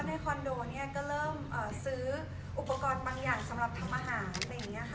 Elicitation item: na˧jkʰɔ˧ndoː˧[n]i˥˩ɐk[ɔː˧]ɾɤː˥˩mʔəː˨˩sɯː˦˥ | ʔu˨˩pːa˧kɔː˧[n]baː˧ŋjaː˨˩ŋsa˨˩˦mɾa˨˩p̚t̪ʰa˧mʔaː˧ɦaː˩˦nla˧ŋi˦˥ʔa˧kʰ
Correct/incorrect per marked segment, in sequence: correct, incorrect, correct

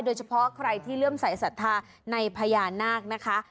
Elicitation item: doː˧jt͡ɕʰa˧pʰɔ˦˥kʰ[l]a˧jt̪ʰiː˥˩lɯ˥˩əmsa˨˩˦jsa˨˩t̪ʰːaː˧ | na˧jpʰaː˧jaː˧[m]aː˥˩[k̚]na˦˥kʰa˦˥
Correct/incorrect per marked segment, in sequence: incorrect, incorrect, correct

